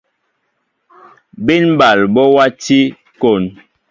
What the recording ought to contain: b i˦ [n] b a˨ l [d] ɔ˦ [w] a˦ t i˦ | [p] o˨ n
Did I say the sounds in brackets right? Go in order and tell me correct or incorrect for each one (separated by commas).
correct, incorrect, correct, incorrect